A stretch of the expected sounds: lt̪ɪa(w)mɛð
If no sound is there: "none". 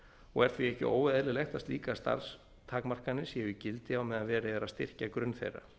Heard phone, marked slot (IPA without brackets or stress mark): w